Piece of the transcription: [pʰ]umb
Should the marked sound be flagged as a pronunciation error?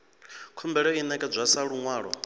yes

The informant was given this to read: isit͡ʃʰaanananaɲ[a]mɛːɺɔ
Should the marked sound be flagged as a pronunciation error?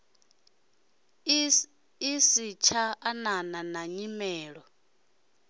yes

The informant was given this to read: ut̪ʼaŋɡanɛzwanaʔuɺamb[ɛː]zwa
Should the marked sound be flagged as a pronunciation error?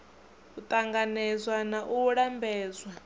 no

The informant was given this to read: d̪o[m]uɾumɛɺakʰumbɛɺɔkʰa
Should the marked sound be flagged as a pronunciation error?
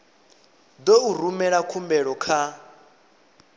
yes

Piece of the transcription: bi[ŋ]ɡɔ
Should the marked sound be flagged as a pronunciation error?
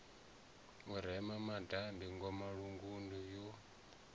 no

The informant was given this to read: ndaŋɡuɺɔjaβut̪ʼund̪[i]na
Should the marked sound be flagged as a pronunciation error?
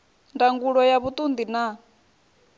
no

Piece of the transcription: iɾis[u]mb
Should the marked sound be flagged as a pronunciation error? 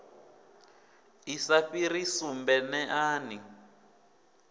no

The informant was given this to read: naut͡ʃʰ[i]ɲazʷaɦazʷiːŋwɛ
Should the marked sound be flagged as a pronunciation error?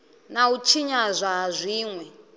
no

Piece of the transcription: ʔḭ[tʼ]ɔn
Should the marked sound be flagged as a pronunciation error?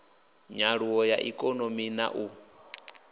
yes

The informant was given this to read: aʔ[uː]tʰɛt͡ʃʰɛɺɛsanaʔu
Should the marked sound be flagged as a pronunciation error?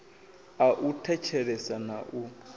yes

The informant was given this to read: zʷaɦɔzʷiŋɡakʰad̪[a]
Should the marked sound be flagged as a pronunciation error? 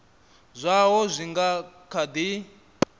yes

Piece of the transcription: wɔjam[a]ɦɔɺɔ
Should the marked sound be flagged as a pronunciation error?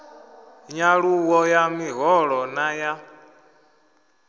yes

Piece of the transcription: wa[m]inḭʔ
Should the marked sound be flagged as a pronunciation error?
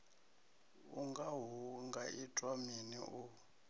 no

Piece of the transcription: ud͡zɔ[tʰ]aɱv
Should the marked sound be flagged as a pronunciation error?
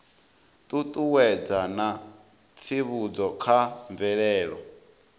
yes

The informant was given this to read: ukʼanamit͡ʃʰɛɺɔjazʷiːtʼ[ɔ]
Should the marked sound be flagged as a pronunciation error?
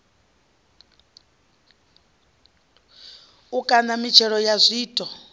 no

